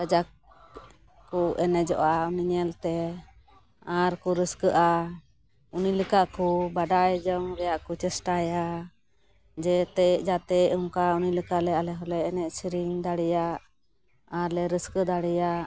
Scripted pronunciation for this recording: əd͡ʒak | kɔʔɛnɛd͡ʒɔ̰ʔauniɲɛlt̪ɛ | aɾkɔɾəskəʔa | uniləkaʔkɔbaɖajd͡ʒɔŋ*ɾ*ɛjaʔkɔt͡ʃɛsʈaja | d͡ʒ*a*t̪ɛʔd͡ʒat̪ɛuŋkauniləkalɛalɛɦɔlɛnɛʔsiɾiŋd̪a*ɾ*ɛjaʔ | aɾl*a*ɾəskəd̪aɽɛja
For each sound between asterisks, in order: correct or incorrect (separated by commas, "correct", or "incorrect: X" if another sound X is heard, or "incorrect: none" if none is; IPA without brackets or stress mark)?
correct, incorrect: ɛ, incorrect: ɽ, incorrect: ɛ